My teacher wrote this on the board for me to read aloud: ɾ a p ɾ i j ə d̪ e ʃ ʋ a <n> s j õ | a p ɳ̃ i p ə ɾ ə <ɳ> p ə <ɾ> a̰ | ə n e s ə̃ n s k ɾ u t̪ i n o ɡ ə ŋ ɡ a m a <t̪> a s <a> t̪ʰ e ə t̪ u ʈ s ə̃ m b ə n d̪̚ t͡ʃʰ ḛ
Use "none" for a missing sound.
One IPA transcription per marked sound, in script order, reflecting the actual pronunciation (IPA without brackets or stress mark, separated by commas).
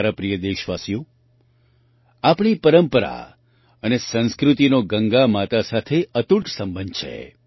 none, m, ɾ, t̪, a